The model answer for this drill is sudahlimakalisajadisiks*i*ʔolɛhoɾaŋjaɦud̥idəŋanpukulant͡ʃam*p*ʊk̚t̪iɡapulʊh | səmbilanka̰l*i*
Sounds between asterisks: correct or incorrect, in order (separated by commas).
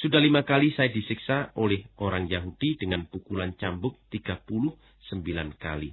incorrect, incorrect, correct